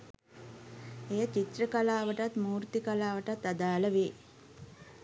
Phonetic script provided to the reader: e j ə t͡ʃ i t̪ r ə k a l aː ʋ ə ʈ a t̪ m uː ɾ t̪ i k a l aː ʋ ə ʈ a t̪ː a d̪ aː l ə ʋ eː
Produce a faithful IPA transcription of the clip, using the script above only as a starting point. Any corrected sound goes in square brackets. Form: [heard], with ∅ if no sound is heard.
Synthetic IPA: e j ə t͡ʃ i t̪ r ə k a l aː ʋ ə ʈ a t̪ m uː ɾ t̪ i k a l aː ʋ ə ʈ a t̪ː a d̪ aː l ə ʋ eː